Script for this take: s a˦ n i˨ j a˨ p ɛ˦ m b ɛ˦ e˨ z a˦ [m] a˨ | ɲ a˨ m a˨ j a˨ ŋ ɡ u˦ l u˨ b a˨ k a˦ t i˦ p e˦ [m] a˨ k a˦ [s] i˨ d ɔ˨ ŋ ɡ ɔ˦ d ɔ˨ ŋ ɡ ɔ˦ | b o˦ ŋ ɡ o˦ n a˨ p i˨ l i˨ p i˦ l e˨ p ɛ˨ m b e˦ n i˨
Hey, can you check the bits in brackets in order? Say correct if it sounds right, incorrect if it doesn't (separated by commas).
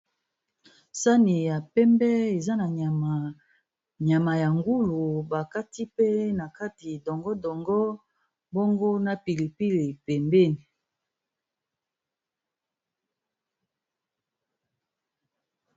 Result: incorrect, incorrect, incorrect